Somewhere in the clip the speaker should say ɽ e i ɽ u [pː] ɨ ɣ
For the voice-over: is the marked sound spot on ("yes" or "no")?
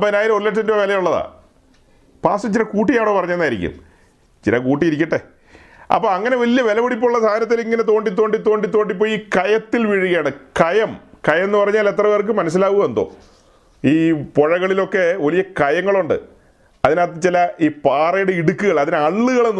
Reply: no